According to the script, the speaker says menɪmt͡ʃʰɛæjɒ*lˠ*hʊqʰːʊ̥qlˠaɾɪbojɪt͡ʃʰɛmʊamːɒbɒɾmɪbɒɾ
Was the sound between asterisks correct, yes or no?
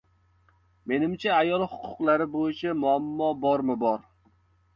yes